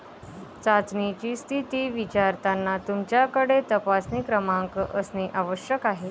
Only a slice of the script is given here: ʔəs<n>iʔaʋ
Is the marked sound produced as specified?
yes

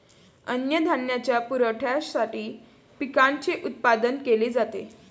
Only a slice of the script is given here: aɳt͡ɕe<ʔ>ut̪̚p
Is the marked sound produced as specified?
yes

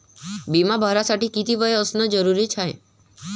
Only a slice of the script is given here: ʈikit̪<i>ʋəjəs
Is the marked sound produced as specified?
yes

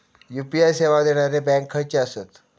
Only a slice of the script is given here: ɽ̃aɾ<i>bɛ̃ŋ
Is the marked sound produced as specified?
no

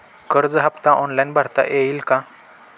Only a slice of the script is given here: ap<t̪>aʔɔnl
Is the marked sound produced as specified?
yes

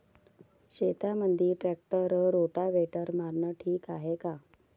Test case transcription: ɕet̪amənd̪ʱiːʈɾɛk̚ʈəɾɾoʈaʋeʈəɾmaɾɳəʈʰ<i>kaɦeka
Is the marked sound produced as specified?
no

